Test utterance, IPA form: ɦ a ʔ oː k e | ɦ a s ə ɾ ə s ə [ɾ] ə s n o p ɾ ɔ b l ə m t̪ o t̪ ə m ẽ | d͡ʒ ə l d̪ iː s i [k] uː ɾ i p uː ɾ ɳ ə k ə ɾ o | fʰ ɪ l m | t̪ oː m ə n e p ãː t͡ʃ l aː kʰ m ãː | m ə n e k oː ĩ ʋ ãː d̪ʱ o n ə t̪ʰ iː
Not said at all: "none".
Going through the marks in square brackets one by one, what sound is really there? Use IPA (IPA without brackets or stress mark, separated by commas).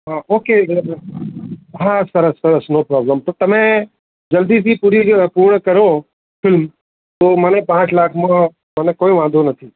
ɾ, p